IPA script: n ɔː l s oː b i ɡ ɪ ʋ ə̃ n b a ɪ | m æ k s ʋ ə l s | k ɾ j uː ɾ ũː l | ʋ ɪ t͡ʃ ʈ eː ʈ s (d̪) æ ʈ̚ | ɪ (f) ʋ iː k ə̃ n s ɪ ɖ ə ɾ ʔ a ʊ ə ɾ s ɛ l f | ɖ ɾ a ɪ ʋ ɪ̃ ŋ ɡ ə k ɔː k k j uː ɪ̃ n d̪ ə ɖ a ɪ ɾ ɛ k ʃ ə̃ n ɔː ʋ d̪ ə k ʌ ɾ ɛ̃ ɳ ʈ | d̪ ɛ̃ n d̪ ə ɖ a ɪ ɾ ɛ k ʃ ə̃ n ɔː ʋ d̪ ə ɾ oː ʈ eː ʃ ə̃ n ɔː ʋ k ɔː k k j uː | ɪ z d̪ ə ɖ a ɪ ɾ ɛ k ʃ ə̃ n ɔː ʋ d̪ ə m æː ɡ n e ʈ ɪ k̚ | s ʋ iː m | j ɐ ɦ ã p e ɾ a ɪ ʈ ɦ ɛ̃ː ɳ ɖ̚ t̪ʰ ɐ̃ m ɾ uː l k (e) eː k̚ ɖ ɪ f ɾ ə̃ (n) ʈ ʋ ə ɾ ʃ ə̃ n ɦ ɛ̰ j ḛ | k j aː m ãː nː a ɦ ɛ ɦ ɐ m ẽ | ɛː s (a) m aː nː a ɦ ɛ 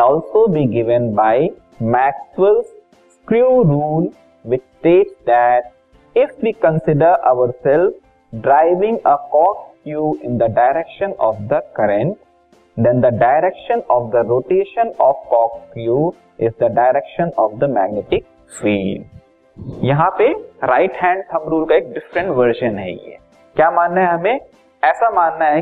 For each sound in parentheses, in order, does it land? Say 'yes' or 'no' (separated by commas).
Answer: yes, yes, no, no, yes